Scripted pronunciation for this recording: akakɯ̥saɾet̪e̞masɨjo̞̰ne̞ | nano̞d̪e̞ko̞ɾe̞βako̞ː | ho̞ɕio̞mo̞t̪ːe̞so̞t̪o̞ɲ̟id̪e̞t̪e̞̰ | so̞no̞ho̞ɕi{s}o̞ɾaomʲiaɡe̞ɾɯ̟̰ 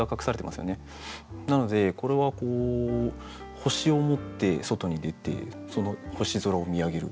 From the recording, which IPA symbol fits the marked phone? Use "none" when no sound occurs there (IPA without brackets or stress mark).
z